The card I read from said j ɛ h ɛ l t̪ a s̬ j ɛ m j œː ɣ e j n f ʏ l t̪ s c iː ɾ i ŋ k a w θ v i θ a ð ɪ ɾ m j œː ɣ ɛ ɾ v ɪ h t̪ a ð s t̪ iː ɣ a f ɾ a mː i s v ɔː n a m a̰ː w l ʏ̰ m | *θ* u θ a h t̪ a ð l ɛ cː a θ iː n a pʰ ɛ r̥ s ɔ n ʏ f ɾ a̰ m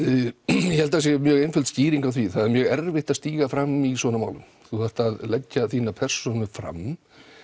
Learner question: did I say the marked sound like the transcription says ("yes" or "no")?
yes